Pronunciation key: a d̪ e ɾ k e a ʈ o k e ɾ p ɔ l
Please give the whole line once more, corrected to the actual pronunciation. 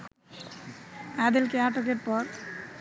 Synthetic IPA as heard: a d̪ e l k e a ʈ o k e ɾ p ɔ ɾ